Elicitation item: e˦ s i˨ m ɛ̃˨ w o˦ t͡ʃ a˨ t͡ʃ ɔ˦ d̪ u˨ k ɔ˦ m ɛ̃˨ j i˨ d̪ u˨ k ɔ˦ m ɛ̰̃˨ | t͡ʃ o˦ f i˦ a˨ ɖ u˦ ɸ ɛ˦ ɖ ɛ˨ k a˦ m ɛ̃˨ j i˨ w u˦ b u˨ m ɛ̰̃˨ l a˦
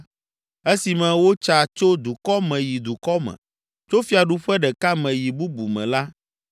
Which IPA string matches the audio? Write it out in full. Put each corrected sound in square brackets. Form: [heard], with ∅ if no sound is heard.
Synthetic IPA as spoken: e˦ s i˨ m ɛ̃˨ w o˦ t͡ʃ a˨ t͡ʃ [o˦] d̪ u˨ k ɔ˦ m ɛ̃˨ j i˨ d̪ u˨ k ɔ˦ m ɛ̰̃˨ | t͡ʃ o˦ f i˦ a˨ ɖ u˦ ɸ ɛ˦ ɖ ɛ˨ k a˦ m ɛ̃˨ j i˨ [b] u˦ b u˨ m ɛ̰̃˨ l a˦